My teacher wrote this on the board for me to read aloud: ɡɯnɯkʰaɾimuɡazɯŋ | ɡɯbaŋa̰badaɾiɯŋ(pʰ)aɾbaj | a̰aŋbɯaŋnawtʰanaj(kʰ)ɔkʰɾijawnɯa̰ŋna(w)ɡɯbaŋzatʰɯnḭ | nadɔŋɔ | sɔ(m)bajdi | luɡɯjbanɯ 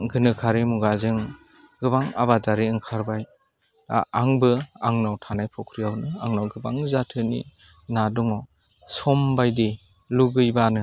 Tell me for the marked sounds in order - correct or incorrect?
incorrect, incorrect, correct, correct

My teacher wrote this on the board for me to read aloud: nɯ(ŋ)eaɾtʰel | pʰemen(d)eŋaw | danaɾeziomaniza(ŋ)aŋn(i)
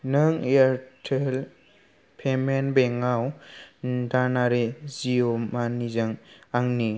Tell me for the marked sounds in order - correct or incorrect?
correct, incorrect, correct, correct

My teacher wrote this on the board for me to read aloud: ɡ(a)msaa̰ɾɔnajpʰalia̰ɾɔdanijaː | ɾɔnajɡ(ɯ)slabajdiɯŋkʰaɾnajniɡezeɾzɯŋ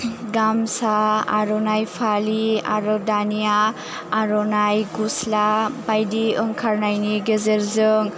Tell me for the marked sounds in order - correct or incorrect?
correct, incorrect

